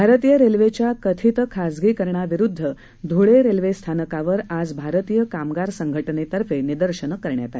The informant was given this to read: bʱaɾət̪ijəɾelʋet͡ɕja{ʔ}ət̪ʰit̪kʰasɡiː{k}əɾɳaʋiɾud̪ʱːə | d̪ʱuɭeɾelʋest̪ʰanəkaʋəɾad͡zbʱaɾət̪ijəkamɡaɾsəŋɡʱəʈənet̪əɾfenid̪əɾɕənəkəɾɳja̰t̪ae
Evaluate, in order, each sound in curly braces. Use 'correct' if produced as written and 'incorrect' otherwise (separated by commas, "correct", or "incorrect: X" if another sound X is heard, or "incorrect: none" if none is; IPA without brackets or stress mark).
incorrect: k, correct